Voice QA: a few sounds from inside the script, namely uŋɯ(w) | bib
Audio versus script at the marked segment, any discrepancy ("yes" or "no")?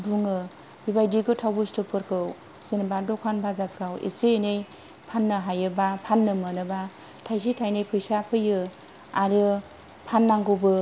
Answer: yes